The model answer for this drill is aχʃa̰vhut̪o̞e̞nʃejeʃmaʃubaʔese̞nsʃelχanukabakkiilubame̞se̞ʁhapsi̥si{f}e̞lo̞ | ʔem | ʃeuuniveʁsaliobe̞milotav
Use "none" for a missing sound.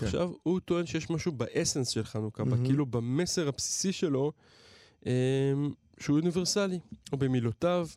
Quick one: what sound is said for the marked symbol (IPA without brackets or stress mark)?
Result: ʃ